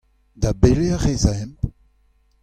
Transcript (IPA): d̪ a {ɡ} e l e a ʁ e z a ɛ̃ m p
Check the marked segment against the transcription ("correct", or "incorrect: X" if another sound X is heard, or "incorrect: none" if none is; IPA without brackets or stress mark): incorrect: b